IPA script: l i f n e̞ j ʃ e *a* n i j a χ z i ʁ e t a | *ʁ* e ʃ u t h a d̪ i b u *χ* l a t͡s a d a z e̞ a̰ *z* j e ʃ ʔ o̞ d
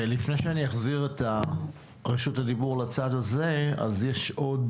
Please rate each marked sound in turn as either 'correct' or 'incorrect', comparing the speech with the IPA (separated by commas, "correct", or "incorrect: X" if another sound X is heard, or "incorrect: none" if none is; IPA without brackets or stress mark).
correct, correct, incorrect: ʁ, correct